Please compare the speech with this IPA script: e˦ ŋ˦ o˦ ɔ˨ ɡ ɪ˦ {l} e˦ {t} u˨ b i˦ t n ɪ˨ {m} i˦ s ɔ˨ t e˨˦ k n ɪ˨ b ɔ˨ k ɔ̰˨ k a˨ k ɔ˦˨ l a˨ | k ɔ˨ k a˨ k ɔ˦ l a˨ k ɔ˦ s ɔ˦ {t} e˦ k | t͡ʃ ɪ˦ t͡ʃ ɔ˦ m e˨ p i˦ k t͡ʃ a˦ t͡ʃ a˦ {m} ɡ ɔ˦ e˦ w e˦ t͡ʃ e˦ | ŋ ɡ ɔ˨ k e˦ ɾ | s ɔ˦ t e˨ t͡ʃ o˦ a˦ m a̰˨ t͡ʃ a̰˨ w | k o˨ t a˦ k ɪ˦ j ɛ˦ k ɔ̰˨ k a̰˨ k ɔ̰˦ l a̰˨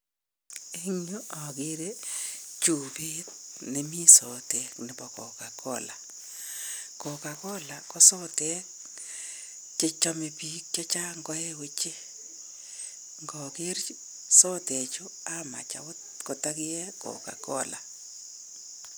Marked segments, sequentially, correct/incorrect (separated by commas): incorrect, incorrect, correct, correct, incorrect